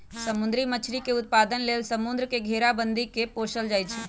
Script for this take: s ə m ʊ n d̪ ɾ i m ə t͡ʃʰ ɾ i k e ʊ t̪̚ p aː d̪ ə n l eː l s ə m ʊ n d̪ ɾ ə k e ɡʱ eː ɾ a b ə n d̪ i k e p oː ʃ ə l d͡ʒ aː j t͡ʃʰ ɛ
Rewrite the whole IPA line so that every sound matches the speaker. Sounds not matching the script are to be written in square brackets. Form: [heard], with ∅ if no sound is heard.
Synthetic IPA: s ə m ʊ n d̪ ɾ i m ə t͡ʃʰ ɾ i k e ʊ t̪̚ p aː d̪ ə n l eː l s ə m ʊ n d̪ ɾ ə k e ɡʱ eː ɾ a b ə n d̪ i k e p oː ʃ ə l d͡ʒ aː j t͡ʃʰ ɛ